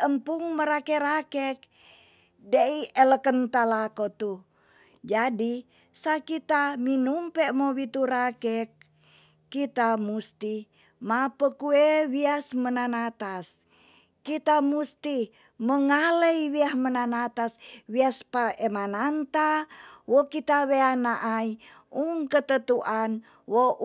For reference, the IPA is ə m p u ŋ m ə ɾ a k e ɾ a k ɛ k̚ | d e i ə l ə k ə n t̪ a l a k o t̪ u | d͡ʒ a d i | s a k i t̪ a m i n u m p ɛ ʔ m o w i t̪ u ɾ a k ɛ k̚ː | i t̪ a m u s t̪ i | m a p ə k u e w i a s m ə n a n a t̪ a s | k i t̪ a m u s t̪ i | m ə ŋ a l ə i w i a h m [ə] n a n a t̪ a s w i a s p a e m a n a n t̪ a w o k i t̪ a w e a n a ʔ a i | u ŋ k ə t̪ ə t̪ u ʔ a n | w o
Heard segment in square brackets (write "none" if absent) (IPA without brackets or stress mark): ə